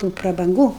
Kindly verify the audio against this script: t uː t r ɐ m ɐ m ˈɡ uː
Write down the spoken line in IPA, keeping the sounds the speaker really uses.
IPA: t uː p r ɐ b ɐ ŋ ˈɡ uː